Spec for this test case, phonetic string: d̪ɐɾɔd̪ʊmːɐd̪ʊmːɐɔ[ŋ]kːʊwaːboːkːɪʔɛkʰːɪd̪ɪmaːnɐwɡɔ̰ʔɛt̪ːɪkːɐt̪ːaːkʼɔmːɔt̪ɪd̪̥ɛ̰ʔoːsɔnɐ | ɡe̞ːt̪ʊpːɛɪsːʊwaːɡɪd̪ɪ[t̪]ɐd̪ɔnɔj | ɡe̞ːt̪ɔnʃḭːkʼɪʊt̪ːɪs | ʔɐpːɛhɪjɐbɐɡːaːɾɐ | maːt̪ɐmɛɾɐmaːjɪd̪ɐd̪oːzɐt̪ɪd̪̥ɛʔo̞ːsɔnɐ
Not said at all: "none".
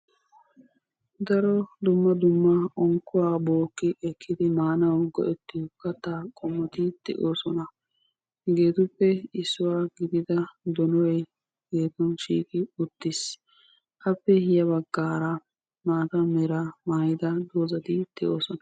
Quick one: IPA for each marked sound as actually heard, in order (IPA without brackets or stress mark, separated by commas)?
ŋ, d̪